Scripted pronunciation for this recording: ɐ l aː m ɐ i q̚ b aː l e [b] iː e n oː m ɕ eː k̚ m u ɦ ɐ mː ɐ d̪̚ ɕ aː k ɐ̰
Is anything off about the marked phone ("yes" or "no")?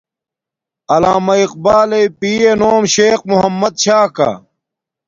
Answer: yes